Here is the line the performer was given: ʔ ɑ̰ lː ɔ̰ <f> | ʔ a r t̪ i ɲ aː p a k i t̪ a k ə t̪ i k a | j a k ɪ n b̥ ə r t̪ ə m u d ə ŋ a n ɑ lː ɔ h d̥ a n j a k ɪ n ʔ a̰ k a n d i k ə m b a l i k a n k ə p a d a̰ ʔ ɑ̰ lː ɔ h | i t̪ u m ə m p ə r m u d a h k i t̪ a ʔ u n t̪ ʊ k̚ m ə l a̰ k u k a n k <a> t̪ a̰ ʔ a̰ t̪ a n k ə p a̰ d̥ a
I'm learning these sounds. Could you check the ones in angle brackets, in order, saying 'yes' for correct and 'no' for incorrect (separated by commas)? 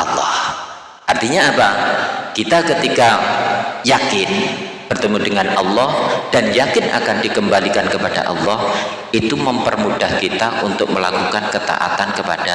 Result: no, no